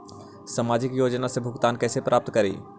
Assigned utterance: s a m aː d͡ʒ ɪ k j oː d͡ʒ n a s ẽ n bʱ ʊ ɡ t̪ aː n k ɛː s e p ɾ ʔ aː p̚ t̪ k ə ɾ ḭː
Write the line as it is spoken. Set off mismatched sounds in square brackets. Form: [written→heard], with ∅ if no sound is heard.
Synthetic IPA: s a m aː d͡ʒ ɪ k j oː d͡ʒ n a s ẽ [n→∅] bʱ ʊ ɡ t̪ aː n k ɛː s e p ɾ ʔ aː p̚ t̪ k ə ɾ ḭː